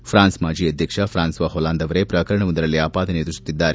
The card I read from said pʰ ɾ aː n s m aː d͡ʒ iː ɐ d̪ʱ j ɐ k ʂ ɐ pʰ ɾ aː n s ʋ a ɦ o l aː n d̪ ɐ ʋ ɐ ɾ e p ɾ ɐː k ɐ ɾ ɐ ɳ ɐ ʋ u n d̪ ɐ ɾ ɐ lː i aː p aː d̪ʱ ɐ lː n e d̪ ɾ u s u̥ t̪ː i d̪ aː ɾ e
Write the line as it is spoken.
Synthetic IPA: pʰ ɾ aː n s m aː d͡ʒ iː ɐ d̪ʱ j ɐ k ʂ ɐ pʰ ɾ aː n s ʋ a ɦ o l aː n d̪ ɐ ʋ ɐ ɾ e p ɾ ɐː k ɐ ɾ ɐ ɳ ɐ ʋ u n d̪ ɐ ɾ ɐ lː i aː p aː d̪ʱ ɐ n e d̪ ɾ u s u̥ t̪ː i d̪ː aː ɾ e